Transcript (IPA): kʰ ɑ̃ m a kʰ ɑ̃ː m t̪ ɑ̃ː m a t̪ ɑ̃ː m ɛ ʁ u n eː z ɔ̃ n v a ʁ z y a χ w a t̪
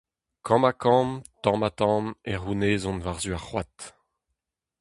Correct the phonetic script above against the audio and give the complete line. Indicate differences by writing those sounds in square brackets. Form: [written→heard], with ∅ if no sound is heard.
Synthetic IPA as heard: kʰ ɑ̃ m a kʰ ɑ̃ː m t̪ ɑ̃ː m a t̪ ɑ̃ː m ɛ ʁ u n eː z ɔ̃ n v a ʁ z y a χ w a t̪